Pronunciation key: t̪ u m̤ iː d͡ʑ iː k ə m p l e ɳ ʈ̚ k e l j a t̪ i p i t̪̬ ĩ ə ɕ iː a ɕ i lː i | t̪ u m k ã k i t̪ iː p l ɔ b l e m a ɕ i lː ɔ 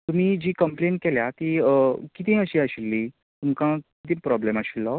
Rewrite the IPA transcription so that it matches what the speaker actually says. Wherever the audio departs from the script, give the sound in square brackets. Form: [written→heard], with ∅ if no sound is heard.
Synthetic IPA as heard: t̪ u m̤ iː d͡ʑ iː k ə m p l e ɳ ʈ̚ k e l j a t̪ i [p→k] i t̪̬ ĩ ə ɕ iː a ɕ i lː i | t̪ u m k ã k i t̪ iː p [l→ɾ] ɔ b l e m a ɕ i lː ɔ